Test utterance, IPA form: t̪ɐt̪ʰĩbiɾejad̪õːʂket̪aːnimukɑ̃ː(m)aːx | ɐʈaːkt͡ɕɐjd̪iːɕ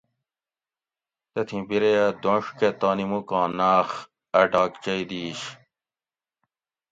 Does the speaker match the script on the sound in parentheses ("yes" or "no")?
no